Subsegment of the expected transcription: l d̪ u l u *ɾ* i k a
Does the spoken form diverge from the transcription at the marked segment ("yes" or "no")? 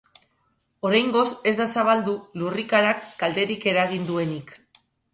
yes